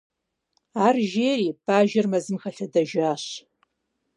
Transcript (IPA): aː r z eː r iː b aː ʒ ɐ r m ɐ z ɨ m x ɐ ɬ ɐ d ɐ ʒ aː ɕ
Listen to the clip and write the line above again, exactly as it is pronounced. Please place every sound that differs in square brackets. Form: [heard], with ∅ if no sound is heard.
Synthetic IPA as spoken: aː r [ʒ] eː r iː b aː ʒ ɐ r m ɐ z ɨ m x ɐ ɬ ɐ d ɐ ʒ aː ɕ